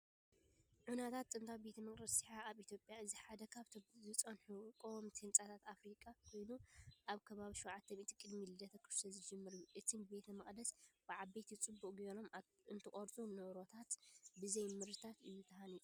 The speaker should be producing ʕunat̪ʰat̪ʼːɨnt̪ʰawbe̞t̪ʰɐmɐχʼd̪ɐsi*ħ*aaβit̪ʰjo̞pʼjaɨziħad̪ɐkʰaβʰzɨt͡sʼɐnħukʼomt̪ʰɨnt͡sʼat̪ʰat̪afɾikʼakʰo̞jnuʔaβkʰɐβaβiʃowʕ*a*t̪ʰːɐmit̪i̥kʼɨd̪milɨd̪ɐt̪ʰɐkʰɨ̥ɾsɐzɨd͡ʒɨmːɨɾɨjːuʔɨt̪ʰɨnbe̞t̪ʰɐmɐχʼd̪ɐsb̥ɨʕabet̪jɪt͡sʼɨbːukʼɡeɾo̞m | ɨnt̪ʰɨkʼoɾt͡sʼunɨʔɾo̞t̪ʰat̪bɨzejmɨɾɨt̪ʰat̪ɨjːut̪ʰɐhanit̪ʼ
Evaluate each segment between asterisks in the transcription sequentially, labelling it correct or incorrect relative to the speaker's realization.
correct, correct

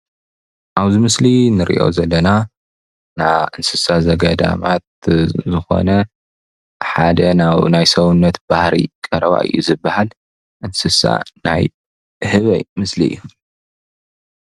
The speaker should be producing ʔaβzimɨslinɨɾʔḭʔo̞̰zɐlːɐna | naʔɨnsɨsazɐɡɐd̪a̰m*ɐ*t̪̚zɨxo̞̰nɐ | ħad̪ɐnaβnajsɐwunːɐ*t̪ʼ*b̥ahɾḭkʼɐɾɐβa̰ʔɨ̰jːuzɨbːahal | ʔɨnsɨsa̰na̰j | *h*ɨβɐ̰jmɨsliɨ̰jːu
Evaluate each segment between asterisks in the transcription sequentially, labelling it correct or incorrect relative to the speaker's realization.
incorrect: a, incorrect: t̪, correct

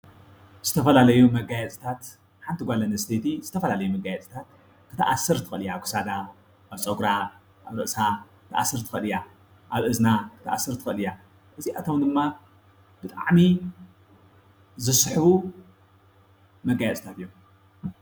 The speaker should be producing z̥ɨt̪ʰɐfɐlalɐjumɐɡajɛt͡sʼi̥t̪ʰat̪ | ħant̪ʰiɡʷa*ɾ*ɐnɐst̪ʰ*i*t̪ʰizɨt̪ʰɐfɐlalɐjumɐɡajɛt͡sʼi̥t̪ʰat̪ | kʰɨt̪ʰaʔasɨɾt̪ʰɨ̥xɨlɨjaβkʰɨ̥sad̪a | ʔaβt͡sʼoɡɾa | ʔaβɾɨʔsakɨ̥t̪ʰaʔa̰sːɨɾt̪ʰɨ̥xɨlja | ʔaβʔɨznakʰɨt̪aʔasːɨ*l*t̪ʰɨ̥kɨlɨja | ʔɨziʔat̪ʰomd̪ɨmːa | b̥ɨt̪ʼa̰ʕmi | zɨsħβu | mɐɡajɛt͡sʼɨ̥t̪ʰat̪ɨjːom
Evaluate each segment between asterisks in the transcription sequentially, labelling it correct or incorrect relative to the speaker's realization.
incorrect: l, incorrect: e, incorrect: ɾ

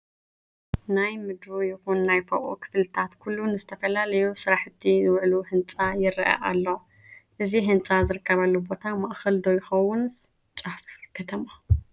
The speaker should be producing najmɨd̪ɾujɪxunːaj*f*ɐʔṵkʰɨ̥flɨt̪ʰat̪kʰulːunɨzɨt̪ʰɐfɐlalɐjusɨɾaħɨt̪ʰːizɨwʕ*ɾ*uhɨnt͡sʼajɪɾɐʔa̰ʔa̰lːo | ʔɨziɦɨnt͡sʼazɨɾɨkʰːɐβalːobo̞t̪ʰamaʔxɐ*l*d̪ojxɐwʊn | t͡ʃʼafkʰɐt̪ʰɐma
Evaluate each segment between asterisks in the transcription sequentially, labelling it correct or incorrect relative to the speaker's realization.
correct, incorrect: l, correct

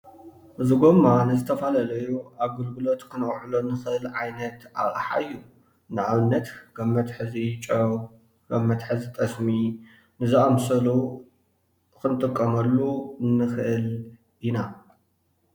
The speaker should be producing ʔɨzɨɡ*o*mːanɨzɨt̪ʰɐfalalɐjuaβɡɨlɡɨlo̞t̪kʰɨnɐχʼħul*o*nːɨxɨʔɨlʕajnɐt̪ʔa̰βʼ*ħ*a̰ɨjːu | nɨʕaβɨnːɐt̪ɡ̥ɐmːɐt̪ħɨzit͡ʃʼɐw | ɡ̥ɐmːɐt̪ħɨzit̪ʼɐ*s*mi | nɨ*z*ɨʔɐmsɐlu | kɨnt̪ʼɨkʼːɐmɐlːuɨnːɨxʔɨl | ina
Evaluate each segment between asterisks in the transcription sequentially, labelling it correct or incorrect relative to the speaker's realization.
correct, correct, correct, correct, correct

